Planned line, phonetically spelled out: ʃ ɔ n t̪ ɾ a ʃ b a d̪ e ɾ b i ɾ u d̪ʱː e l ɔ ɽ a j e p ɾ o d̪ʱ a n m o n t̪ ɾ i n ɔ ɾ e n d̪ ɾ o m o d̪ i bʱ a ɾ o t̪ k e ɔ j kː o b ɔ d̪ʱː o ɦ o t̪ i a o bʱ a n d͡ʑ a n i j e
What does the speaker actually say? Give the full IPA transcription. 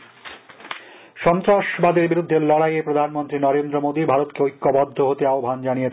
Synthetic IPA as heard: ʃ ɔ n t̪ ɾ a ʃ b a d̪ e ɾ b i ɾ u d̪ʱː e l ɔ ɽ a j e p ɾ o d̪ʱ a n m o n t̪ ɾ i n ɔ ɾ e n d̪ ɾ o m o d̪ i bʱ a ɾ o t̪ k e o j kː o b ɔ d̪ʱː o ɦ o t̪ e a o bʱ a n d͡ʑ a n i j e